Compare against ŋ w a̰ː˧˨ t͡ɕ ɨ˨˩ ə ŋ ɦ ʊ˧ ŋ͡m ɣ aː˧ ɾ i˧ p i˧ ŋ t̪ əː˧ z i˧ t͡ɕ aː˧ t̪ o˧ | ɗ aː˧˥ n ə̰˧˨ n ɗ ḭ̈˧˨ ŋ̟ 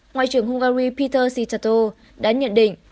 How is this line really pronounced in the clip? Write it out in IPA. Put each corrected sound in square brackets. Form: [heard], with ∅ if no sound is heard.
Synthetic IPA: ŋ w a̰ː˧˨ t͡ɕ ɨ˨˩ ə ŋ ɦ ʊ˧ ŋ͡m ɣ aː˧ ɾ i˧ p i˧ [∅] t̪ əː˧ [s] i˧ t͡ɕ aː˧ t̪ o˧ | ɗ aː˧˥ [ɲ] ə̰˧˨ n ɗ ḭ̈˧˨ ŋ̟